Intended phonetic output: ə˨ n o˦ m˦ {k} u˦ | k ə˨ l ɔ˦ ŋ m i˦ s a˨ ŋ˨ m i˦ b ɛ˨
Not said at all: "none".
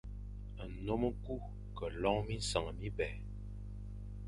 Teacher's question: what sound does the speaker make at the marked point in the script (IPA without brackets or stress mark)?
k